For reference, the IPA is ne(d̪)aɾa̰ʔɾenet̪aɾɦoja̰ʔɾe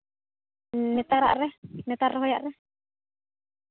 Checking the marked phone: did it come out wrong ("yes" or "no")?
yes